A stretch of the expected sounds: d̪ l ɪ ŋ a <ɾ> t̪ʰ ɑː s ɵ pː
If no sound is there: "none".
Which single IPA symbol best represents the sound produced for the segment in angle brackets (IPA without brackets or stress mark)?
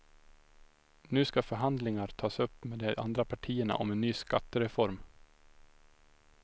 ɾ